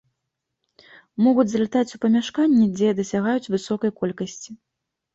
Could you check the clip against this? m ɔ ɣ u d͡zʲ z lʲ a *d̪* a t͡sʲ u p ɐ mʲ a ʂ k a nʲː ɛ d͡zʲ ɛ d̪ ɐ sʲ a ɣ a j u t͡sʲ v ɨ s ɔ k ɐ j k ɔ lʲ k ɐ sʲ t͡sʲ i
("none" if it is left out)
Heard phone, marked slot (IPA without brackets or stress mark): t̪